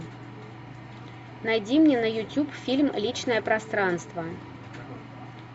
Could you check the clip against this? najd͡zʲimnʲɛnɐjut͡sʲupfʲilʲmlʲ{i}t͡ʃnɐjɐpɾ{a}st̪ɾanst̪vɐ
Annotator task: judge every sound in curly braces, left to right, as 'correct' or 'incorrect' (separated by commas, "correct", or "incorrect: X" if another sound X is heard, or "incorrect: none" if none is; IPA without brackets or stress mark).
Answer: correct, correct